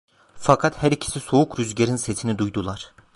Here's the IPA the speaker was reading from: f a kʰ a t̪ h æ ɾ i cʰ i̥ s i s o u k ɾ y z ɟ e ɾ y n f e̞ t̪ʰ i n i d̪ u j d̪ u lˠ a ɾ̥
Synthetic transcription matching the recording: f a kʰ a t̪ h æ ɾ i cʰ i̥ s i s o u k ɾ y z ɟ e ɾ i n s e̞ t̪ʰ i n i d̪ u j d̪ u lˠ a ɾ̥